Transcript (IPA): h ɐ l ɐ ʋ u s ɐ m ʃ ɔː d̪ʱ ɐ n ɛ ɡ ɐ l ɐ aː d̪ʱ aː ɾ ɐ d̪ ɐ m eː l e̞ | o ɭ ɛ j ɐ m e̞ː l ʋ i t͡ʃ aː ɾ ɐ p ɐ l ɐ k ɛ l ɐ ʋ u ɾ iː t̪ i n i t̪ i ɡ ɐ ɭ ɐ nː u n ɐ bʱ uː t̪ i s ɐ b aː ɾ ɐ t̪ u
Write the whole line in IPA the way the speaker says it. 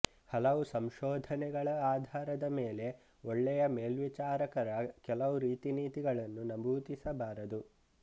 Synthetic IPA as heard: h ɐ l ɐ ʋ u s ɐ m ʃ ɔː d̪ʱ ɐ n ɛ ɡ ɐ ɭ ɐ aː d̪ʱ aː ɾ ɐ d̪ ɐ m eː l e̞ | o ɭː ɛ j ɐ m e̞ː l ʋ i t͡ʃ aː ɾ ɐ k ɐ ɾ ɐ k ɛ l ɐ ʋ u ɾ iː t̪ i n iː t̪ i ɡ ɐ ɭ ɐ nː u n ɐ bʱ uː t̪ i s ɐ b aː ɾ ɐ d̪ u

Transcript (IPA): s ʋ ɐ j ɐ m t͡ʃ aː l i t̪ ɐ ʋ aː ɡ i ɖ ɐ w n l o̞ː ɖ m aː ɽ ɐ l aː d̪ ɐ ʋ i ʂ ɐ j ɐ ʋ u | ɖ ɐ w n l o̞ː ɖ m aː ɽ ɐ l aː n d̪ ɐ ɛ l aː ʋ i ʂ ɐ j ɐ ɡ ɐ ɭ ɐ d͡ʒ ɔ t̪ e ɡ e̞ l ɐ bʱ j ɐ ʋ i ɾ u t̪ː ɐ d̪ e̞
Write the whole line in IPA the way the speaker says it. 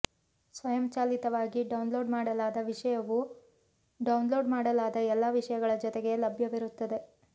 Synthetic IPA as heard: s ʋ ɐ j ɐ m t͡ʃ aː l i t̪ ɐ ʋ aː ɡ i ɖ ɐ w n l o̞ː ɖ m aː ɽ ɐ l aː d̪ ɐ ʋ i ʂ ɐ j ɐ ʋ u | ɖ ɐ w n l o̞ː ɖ m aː ɽ ɐ l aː d̪ ɐ ɛ lː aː ʋ i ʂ ɐ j ɐ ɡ ɐ ɭ ɐ d͡ʒ ɔ t̪ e ɡ e̞ l ɐ bʱ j ɐ ʋ i ɾ u t̪ː ɐ d̪ e̞

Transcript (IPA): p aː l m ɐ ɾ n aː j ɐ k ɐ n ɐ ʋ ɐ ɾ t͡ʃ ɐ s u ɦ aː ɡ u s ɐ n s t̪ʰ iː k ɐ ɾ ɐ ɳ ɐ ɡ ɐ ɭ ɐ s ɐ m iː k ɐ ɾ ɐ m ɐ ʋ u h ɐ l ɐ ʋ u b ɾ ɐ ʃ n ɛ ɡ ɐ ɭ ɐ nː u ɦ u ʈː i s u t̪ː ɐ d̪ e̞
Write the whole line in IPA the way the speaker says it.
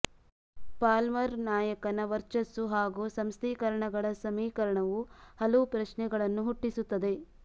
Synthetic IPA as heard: p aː l m ɐ ɾ n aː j ɐ k ɐ n ɐ ʋ ɐ ɾ t͡ʃ ɐ s u ɦ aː ɡ u s ɐ m s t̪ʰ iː k ɐ ɾ ɐ ɳ ɐ ɡ ɐ ɭ ɐ s ɐ m iː k ɐ ɾ ɐ ɳ ɐ ʋ u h ɐ l ɐ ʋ u p ɾ ɐ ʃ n ɛ ɡ ɐ ɭ ɐ nː u ɦ u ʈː i s u t̪ː ɐ d̪ e̞

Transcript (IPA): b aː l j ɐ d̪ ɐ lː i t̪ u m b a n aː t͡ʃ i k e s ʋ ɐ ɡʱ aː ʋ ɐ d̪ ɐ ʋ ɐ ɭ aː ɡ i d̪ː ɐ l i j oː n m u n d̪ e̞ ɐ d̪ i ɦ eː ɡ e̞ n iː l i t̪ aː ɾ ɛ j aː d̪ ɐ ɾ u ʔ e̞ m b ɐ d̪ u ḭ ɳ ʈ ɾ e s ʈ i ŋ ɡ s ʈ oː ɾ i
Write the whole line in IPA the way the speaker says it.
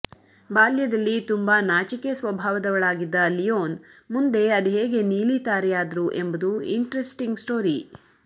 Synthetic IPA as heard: b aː l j ɐ d̪ ɐ lː i t̪ u m b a n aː t͡ʃ i k e s ʋ ɐ bʱ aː ʋ ɐ d̪ ɐ ʋ ɐ ɭ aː ɡ i d̪ː ɐ l i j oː n m u n d̪ e̞ ɐ d̪ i ɦ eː ɡ e̞ n iː l i t̪ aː ɾ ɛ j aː d̪ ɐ ɾ u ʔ e̞ m b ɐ d̪ u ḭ ɳ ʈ ɾ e s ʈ i ŋ ɡ s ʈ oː ɾ i

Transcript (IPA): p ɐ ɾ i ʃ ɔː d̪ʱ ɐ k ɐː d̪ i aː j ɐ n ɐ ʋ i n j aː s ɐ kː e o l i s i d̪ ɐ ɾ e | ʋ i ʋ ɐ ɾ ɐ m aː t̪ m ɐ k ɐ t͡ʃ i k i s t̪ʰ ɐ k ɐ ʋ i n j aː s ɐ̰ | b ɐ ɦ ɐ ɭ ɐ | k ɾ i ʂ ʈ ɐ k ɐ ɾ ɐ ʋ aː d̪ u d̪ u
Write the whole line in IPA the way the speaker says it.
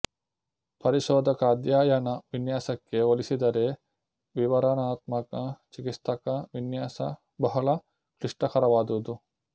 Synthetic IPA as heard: p ɐ ɾ i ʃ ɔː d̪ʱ ɐ k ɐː d̪ j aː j ɐ n ɐ ʋ i n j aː s ɐ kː e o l i s i d̪ ɐ ɾ e | ʋ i ʋ ɐ ɾ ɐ n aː t̪ m ɐ k ɐ t͡ʃ i k i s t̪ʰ ɐ k ɐ ʋ i n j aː s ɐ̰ | b ɐ ɦ ɐ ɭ ɐ | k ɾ i ʂ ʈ ɐ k ɐ ɾ ɐ ʋ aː d̪ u d̪ u

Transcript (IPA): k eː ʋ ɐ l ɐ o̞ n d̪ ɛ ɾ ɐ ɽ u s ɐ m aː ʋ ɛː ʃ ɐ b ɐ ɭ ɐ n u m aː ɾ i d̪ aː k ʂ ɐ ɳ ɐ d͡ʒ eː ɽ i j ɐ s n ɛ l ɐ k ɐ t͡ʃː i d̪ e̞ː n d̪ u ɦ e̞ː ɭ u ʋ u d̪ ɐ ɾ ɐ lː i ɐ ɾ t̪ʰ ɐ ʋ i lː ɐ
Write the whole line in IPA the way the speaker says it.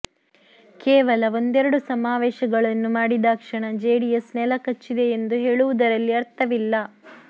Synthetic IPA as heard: k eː ʋ ɐ l ɐ o̞ n d̪ ɛ ɾ ɐ ɽ u s ɐ m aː ʋ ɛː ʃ ɐ ɡ ɐ ɭ ɐ nː u m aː ɽ i d̪ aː k ʂ ɐ ɳ ɐ d͡ʒ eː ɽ i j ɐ s n ɛ l ɐ k ɐ t͡ʃː i d̪ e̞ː n d̪ u ɦ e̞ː ɭ u ʋ u d̪ ɐ ɾ ɐ lː i ɐ ɾ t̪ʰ ɐ ʋ i lː ɐ

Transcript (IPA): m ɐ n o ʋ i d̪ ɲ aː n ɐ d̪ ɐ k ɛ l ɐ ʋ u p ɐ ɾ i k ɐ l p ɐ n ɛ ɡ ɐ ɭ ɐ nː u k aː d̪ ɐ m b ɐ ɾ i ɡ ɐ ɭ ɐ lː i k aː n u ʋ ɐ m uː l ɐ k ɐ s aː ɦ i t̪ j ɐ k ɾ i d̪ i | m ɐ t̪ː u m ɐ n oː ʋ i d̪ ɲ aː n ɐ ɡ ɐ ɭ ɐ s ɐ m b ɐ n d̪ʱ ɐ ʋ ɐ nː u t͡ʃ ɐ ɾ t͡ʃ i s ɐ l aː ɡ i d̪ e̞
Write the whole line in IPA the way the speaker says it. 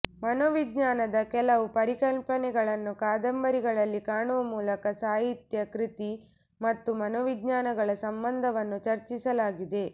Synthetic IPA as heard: m ɐ n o ʋ i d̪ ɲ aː n ɐ d̪ ɐ k ɛ l ɐ ʋ u p ɐ ɾ i k ɐ l p ɐ n ɛ ɡ ɐ ɭ ɐ nː u k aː d̪ ɐ m b ɐ ɾ i ɡ ɐ ɭ ɐ lː i k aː ɳ u ʋ ɐ m uː l ɐ k ɐ s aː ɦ i t̪ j ɐ k ɾ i t̪ i | m ɐ t̪ː u m ɐ n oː ʋ i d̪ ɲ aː n ɐ ɡ ɐ ɭ ɐ s ɐ m b ɐ n d̪ʱ ɐ ʋ ɐ nː u t͡ʃ ɐ ɾ t͡ʃ i s ɐ l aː ɡ i d̪ e̞

